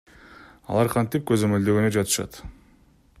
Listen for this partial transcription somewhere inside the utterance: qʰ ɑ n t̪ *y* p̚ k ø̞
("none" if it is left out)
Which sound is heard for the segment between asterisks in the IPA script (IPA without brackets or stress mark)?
i